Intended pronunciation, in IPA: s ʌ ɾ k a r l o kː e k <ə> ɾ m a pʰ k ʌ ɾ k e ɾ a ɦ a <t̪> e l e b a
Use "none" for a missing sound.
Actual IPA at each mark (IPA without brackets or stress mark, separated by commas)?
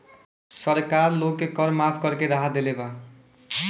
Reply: ʌ, d̪